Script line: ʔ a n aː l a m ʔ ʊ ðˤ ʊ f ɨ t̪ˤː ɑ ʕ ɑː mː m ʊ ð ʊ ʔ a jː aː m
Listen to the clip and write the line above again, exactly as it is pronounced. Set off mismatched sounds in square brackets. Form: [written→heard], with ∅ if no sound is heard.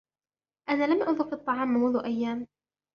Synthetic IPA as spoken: ʔ a n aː l a m ʔ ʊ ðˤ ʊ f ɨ t̪ˤː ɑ ʕ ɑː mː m ʊ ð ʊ ʔ a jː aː m